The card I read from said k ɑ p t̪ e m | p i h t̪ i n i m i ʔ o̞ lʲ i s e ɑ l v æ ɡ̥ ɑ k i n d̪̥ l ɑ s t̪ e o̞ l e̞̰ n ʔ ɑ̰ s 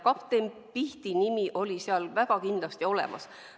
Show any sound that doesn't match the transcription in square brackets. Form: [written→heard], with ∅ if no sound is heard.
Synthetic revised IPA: k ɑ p t̪ e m | p i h t̪ i n i m i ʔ o̞ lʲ i s e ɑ l v æ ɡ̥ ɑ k i n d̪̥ l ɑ s t̪ [e→i] o̞ l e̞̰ [n→m] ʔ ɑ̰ s